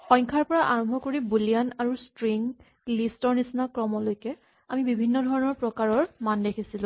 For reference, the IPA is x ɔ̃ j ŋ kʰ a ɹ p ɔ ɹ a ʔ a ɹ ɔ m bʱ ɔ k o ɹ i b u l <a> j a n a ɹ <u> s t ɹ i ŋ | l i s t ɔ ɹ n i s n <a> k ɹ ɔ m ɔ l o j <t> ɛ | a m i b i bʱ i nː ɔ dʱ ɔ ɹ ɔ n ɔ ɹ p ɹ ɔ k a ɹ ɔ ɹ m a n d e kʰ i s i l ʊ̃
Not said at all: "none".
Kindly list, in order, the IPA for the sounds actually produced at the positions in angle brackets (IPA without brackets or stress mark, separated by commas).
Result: i, u, a, k